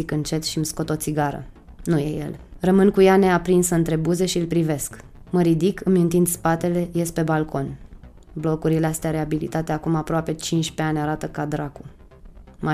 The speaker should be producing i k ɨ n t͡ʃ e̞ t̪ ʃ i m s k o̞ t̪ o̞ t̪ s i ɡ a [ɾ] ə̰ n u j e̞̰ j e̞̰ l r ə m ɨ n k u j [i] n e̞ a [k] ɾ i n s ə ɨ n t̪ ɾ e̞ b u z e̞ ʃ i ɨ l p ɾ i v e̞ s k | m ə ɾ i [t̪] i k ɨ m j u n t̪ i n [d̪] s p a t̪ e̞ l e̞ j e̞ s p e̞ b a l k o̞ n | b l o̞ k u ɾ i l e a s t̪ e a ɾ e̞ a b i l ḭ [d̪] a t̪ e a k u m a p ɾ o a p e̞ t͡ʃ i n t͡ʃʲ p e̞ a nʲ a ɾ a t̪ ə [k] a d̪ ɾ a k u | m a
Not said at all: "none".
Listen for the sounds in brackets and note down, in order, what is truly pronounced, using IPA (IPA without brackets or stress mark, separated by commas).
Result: ɾ, a, p, d̪, d̪, t̪, k